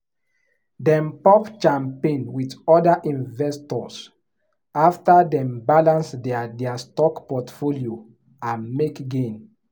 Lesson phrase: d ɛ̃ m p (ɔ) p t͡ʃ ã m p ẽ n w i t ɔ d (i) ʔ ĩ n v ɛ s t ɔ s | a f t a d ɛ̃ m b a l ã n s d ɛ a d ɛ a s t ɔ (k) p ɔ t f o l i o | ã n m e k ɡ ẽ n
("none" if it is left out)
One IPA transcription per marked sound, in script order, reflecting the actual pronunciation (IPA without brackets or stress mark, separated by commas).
ɔ, a, k